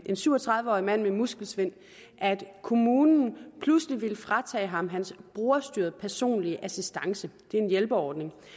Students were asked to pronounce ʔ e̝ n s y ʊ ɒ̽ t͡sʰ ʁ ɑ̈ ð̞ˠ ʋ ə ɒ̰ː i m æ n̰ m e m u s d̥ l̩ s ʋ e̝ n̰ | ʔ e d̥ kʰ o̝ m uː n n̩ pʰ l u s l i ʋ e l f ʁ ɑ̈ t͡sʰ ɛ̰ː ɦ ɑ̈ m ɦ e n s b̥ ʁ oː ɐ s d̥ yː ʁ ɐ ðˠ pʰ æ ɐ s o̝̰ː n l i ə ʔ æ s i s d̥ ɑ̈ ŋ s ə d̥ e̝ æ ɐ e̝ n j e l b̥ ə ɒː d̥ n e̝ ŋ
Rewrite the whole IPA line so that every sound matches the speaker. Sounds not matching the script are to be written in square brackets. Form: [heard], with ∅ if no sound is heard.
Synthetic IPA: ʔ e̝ n s y ʊ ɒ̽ t͡sʰ ʁ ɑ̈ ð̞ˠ ʋ ə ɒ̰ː i m æ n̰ m e m u s [ɡ̥] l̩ s ʋ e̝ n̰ | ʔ [æ] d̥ kʰ o̝ m uː n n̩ pʰ l u s l i ʋ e l f ʁ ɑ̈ t͡sʰ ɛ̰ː ɦ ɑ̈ m ɦ [æ] n s b̥ ʁ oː ɐ s d̥ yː [∅] ɐ ðˠ pʰ æ ɐ s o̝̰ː n l i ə ʔ æ s i s d̥ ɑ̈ ŋ s ə d̥ e̝ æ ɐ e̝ n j e l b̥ ə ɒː d̥ n e̝ ŋ